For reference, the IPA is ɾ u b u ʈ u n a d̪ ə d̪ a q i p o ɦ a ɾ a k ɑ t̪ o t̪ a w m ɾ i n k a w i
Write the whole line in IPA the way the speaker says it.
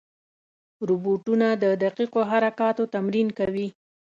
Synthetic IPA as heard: ɾ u b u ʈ u n a d̪ ə d̪ a q i q o ɦ a ɾ a k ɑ t̪ o t̪ a m ɾ i n k a w i

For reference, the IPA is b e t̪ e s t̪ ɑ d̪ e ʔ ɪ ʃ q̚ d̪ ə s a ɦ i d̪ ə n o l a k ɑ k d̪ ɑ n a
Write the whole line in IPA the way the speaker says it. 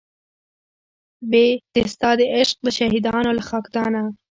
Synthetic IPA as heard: b e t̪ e s t̪ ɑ d̪ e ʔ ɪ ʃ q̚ d̪ ə ʃ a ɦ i d̪ ɑ n o l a x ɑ k d̪ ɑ n a

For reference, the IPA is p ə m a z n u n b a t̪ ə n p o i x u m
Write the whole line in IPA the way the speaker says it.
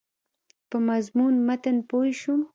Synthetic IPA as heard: p ə m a z m u n m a t̪ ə n p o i ʃ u m

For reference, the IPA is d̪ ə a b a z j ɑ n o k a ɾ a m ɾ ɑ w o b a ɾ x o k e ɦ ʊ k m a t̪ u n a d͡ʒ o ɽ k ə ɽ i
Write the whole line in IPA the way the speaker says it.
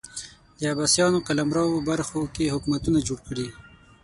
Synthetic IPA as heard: d̪ ə a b a s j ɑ n o k a l a m ɾ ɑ w o b a ɾ x o k e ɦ ʊ k m a t̪ u n a d͡ʒ o ɽ k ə ɽ i

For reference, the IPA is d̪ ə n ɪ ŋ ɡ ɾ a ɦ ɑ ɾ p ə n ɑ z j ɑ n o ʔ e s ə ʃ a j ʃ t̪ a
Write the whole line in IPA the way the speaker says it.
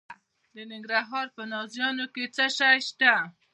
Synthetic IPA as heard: d̪ ə n ɪ ŋ ɡ ɾ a ɦ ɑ ɾ p ə n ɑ z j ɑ n o k e t͡s ə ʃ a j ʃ t̪ a

